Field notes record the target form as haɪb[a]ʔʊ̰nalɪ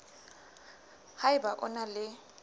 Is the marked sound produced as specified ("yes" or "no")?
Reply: yes